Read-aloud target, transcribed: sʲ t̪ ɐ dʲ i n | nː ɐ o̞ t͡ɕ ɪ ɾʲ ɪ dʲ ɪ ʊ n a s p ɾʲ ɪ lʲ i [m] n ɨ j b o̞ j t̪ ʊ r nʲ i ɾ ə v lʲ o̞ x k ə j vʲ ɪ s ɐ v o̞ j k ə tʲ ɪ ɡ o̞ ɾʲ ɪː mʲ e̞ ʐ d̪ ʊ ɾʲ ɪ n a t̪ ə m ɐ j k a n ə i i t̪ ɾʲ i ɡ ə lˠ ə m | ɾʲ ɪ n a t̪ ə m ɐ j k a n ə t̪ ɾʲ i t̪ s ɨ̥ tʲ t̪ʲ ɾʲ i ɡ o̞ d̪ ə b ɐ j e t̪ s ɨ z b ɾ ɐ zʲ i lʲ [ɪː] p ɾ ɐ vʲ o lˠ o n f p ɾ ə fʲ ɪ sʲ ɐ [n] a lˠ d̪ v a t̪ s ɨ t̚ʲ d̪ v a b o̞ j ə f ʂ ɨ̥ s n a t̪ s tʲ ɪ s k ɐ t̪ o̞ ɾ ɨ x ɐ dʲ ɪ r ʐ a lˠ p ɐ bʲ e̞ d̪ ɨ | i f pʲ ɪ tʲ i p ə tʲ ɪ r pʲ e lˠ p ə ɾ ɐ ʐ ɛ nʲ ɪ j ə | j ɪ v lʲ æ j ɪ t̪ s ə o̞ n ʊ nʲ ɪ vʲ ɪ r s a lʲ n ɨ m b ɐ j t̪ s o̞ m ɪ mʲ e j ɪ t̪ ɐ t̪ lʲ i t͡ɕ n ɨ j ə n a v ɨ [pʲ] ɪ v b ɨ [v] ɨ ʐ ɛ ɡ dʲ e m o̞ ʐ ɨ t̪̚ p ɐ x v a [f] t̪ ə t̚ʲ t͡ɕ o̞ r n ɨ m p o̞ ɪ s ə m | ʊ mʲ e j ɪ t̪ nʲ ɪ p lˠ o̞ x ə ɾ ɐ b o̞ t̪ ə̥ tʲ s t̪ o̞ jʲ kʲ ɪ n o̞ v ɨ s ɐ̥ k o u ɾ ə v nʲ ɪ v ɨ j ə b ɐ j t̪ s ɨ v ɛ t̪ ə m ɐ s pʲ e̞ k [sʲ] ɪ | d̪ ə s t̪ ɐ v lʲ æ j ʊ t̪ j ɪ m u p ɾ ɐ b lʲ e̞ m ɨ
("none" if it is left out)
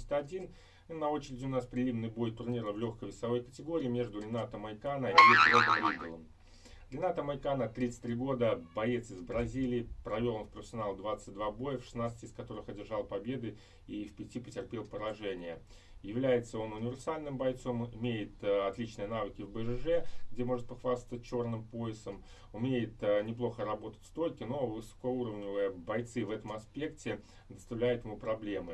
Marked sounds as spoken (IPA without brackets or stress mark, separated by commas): m, ɪː, n, kʲ, ʐ, s, tʲ